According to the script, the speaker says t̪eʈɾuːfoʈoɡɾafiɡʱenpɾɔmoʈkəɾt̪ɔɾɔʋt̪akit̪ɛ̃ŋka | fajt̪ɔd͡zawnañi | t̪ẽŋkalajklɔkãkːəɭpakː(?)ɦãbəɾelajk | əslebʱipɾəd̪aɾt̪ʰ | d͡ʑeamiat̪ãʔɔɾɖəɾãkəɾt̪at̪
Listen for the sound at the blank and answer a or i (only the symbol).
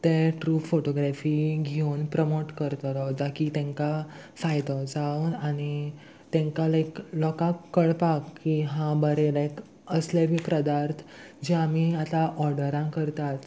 i